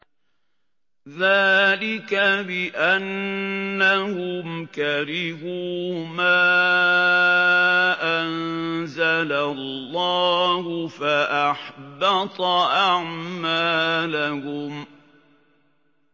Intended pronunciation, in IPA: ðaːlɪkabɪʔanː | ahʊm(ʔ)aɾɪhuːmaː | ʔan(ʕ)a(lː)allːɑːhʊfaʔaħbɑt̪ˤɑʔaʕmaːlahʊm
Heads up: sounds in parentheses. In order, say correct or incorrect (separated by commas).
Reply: incorrect, incorrect, incorrect